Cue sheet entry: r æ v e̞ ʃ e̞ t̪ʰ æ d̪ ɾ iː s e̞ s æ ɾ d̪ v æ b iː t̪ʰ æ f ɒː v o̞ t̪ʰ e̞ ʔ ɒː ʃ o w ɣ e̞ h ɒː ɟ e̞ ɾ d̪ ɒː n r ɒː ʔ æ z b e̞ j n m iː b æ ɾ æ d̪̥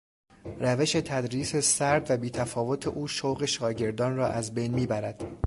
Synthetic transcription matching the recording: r æ v e̞ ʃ e̞ t̪ʰ æ d̪ ɾ iː s e̞ s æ ɾ d̪ v æ b iː t̪ʰ æ f ɒː v o̞ t̪ʰ e̞ ʔ uː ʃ o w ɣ e̞ ʃ ɒː ɟ e̞ ɾ d̪ ɒː n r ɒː ʔ æ z b e̞ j n m iː b æ ɾ æ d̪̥